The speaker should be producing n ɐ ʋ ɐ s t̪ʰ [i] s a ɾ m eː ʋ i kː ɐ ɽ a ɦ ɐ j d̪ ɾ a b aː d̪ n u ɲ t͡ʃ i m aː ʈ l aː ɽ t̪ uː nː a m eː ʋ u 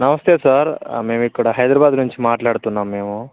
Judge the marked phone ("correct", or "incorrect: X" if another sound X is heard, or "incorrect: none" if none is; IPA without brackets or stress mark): incorrect: e